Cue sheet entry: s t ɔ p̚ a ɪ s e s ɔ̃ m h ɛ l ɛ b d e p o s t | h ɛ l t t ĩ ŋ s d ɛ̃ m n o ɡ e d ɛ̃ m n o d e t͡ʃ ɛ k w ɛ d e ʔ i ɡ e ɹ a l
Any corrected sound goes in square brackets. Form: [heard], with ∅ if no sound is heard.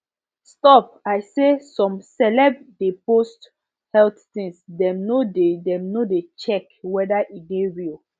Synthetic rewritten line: s t ɔ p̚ a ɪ s e s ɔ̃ m [s] ɛ l ɛ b d e p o s t | h ɛ l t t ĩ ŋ s d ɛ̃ m n o [d] e d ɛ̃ m n o d e t͡ʃ ɛ k w ɛ d [a] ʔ i ɡ e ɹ [i] l